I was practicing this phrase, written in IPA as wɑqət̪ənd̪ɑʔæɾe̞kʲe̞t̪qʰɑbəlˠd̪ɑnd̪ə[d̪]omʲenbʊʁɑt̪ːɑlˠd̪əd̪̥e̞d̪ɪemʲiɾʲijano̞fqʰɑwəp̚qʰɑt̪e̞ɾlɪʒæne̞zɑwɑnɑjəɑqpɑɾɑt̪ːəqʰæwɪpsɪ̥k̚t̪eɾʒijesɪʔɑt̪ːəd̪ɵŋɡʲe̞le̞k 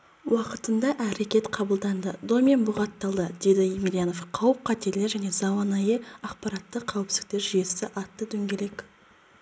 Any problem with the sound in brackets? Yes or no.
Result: no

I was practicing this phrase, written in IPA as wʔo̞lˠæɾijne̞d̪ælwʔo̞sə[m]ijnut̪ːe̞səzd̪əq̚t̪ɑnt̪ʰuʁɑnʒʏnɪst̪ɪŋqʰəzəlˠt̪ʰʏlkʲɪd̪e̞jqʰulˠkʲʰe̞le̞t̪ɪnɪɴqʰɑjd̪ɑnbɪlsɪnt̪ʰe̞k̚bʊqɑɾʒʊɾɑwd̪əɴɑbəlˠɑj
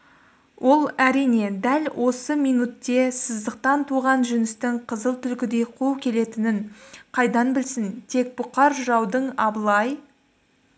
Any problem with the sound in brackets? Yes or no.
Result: no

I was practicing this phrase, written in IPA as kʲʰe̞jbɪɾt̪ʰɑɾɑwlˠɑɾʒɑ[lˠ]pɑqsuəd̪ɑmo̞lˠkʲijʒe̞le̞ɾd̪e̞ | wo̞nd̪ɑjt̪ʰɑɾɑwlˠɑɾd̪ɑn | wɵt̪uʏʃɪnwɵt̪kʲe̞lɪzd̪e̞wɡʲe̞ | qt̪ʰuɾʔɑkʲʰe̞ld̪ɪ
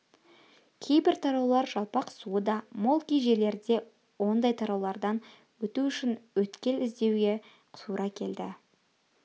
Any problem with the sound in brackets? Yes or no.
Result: no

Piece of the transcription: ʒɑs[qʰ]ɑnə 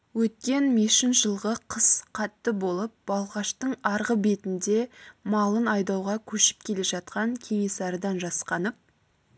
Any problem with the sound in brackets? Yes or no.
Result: yes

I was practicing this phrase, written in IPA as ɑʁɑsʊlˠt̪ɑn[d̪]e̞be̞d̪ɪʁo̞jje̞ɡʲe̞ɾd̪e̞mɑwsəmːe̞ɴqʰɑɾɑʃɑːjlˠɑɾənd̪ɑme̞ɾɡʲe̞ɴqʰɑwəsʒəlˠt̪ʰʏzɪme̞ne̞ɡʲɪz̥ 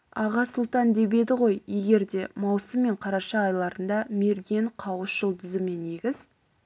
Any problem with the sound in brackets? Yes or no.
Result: no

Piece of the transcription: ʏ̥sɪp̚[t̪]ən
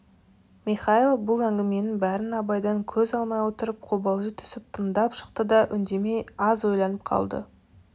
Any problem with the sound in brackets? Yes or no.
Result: yes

